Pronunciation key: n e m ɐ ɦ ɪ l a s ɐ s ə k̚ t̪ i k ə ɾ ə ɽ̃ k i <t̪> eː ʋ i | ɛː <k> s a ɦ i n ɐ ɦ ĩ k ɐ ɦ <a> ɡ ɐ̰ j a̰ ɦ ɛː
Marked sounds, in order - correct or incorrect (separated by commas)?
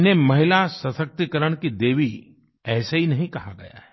incorrect, incorrect, correct